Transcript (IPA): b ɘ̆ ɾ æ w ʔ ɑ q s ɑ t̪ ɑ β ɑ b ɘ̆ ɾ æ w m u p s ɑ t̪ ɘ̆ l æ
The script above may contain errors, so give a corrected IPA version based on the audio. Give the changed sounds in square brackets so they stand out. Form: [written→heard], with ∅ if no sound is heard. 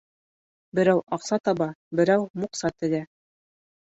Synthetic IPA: b ɘ̆ ɾ æ w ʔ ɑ q s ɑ t̪ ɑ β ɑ b ɘ̆ ɾ æ w m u [p→q] s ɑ t̪ ɘ̆ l æ